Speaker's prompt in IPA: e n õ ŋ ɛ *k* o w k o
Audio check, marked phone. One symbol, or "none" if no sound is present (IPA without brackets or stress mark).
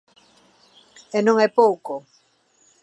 p